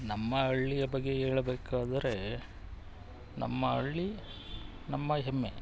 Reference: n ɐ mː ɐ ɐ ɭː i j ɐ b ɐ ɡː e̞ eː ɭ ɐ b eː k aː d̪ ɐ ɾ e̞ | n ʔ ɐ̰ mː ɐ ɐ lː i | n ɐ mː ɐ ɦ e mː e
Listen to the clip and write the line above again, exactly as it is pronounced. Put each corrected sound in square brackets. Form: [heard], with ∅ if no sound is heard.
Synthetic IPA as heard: n ɐ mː ɐ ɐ ɭː i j ɐ b ɐ ɡː e̞ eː ɭ ɐ b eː k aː d̪ ɐ ɾ e̞ | n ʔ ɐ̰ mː ɐ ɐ [ɭː] i | n ɐ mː ɐ ɦ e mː e

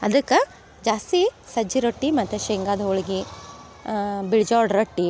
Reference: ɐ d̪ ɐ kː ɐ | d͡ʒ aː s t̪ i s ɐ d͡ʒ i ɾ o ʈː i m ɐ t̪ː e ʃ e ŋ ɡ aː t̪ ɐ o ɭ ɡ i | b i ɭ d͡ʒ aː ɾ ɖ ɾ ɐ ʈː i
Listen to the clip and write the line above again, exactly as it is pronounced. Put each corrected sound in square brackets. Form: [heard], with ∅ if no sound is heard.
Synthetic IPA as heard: ɐ d̪ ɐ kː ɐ | d͡ʒ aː s t̪ i s ɐ d͡ʒ i ɾ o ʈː i m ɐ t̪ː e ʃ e ŋ ɡ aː [d̪] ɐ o ɭ ɡ i | b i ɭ d͡ʒ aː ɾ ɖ ɾ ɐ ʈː i

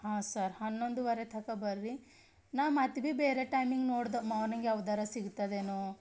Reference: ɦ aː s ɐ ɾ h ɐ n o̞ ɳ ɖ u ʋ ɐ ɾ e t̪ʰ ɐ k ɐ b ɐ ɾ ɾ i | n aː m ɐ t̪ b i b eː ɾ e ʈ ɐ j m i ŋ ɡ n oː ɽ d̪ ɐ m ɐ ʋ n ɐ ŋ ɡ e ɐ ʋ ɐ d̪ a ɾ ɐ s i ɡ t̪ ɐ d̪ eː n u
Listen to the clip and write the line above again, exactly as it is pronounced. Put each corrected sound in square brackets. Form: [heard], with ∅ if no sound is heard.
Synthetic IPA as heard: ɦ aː s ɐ ɾ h ɐ [nː] o̞ ɳ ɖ u ʋ ɐ ɾ e t̪ʰ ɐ k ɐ b ɐ ɾ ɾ i | n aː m ɐ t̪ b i b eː ɾ e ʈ ɐ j m i ŋ ɡ n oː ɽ d̪ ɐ m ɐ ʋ n ɐ ŋ ɡ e ɐ ʋ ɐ d̪ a ɾ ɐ s i ɡ t̪ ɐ d̪ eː n u

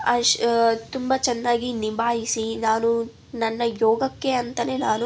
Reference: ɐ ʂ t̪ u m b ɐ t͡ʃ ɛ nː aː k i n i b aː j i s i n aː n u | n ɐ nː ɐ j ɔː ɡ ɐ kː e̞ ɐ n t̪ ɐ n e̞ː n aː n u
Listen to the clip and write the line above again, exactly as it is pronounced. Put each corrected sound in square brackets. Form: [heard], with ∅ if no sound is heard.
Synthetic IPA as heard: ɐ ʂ t̪ u m b ɐ t͡ʃ ɛ nː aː [ɡ] i n i b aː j i s i n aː n u | n ɐ nː ɐ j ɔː ɡ ɐ kː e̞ ɐ n t̪ ɐ n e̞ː n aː n u

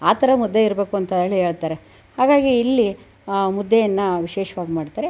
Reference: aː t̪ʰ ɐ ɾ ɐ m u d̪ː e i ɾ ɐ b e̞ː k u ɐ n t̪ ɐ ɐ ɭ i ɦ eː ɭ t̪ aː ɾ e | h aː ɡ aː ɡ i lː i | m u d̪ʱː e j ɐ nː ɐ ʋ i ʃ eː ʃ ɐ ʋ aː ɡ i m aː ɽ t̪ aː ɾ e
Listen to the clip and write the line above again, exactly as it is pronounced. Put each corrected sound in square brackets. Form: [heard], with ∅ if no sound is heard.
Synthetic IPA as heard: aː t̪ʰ ɐ ɾ ɐ m u d̪ː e i ɾ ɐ b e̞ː k u ɐ n t̪ ɐ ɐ ɭ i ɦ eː ɭ t̪ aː ɾ e | h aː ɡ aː ɡ [iː] lː i | m u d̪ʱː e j ɐ nː ɐ ʋ i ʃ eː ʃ ɐ ʋ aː ɡ i m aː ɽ t̪ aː ɾ e

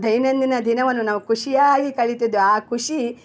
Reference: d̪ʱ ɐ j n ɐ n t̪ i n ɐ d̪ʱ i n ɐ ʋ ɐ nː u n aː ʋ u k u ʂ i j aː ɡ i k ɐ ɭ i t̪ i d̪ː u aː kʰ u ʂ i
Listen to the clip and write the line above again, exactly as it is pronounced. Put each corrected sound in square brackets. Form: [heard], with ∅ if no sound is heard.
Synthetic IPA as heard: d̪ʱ ɐ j n ɐ n [d̪] i n ɐ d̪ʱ i n ɐ ʋ ɐ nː u n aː ʋ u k u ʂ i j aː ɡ i k ɐ ɭ i t̪ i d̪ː u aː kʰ u ʂ i

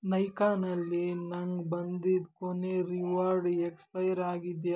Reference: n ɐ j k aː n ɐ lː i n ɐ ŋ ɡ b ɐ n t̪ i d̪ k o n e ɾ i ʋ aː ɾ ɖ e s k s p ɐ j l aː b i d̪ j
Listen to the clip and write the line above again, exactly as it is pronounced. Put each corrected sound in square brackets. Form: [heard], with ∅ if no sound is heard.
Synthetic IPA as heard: n ɐ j k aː n ɐ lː i n ɐ ŋ ɡ b ɐ n [d̪] i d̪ k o n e ɾ i ʋ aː ɾ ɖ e [∅] k s p ɐ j [ɾ] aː [ɡ] i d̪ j

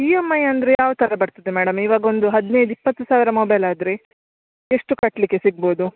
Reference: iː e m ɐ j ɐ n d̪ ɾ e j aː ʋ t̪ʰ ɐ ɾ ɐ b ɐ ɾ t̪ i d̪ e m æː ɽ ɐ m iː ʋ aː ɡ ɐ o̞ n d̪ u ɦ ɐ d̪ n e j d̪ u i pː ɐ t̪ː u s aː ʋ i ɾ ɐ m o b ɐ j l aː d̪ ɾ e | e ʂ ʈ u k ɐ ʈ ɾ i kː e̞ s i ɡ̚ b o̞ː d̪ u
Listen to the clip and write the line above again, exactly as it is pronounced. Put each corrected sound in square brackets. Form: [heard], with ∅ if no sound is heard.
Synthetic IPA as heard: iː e m ɐ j ɐ n d̪ ɾ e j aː ʋ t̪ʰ ɐ ɾ ɐ b ɐ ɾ t̪ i d̪ e m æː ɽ ɐ m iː ʋ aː ɡ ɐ o̞ n d̪ u ɦ ɐ d̪ n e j d̪ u i pː ɐ t̪ː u s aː ʋ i ɾ ɐ m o b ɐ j l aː d̪ ɾ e | e ʂ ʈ u k ɐ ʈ [l] i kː e̞ s i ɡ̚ b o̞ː d̪ u

